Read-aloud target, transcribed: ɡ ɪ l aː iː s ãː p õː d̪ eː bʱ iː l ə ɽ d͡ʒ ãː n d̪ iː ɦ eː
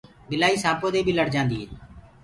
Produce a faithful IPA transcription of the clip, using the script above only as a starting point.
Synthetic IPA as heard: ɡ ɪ l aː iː s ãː p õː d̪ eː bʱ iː l ə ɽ d͡ʒ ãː n d̪ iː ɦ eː